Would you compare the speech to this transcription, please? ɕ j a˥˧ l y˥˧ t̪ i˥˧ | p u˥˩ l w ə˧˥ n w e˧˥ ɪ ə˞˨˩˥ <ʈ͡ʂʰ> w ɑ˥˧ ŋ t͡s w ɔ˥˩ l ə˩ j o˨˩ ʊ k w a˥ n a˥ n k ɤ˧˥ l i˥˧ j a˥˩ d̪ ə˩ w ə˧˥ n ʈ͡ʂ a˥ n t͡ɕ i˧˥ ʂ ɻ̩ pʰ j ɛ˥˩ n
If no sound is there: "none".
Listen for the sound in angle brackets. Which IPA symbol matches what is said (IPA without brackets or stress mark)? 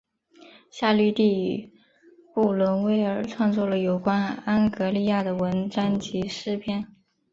ʈ͡ʂʰ